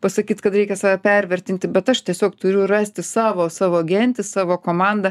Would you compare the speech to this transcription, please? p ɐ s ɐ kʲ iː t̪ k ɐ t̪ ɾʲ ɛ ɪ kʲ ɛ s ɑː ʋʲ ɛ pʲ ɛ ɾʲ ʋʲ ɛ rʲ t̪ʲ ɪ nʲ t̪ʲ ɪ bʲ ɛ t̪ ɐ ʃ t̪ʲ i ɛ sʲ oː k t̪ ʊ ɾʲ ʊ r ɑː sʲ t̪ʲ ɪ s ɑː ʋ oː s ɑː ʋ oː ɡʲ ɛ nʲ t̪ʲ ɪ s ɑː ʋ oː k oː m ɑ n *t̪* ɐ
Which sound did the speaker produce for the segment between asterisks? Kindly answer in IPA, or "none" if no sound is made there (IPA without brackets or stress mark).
d̪